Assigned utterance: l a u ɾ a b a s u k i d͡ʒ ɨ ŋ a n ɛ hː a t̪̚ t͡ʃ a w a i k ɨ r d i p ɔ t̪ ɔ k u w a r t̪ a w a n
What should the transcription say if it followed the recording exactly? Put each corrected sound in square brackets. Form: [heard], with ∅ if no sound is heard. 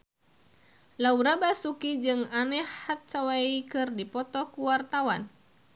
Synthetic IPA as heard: l a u ɾ a b a s u k i d͡ʒ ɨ ŋ a n ɛ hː a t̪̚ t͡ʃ a w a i k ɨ r d i p ɔ t̪ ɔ k u w a r t̪ a w a n